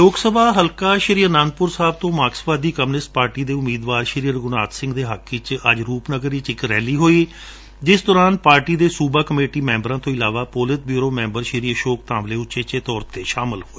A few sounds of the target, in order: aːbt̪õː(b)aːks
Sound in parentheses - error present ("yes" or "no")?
yes